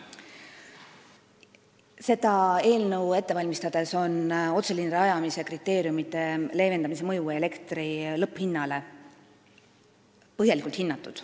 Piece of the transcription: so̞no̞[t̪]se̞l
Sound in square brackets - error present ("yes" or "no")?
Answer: no